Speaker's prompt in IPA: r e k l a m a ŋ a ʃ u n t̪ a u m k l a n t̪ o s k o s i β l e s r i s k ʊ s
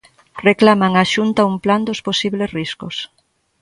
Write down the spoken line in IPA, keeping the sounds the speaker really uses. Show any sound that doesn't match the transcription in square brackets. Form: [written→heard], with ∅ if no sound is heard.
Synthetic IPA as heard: r e k l a m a ŋ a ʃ u n t̪ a u m [k→p] l a n [t̪→d̪] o s [k→p] o s i β l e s r i s k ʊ s